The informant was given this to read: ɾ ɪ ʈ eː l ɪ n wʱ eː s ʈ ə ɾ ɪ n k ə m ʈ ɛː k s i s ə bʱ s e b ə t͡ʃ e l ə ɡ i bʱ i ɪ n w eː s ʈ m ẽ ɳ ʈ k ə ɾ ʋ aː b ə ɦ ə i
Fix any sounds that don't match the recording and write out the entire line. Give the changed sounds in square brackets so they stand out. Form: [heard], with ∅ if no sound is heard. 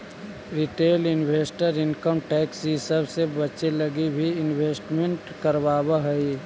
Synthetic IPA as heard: ɾ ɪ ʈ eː l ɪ n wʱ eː s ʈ ə ɾ ɪ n k ə m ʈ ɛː k s i s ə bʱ s e b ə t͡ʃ e l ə ɡ i bʱ i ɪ n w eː s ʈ m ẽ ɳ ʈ k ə ɾ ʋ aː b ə ɦ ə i